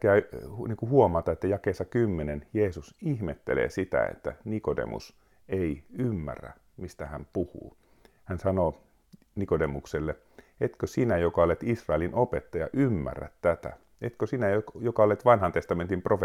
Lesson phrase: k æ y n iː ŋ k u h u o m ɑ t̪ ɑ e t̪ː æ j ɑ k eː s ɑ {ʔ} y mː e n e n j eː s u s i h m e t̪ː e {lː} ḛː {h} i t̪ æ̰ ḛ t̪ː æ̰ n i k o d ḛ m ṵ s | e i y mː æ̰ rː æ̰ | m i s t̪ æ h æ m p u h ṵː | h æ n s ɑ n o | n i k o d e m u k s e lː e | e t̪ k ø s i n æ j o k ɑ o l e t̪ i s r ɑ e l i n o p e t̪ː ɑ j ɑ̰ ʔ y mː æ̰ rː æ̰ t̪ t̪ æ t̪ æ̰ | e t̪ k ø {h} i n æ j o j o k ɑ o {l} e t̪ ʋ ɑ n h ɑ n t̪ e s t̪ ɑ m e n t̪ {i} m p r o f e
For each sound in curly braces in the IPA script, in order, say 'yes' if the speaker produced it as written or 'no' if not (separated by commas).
no, no, no, no, yes, yes